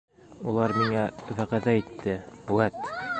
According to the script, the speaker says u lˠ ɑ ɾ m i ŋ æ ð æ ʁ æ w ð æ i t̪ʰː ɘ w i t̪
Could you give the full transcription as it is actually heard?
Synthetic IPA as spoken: u lˠ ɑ ɾ m i ŋ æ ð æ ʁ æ ð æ i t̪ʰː ɘ w æ t̪